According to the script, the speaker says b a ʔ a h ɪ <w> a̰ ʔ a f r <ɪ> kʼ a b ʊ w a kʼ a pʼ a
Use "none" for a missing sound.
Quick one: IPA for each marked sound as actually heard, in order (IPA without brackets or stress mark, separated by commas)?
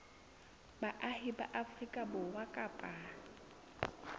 b, i